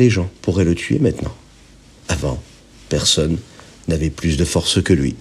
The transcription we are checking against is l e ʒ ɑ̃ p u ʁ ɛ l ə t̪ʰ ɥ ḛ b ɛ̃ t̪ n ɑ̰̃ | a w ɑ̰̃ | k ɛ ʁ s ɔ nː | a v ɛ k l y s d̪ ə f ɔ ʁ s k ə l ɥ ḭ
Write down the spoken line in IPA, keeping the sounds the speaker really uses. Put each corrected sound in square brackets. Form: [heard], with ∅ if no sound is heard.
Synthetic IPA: l e ʒ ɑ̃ p u ʁ ɛ l ə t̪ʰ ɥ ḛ [m] ɛ̃ t̪ n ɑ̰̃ | a [v] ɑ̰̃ | [p] ɛ ʁ s ɔ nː | a v ɛ [p] l y s d̪ ə f ɔ ʁ s k ə l ɥ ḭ